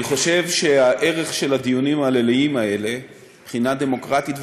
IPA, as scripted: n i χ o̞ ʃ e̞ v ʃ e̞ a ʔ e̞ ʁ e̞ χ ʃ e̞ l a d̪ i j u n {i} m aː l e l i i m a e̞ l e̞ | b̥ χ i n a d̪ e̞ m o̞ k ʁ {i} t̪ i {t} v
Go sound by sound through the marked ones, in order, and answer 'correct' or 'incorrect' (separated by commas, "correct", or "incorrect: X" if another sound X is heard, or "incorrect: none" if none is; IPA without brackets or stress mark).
correct, incorrect: a, correct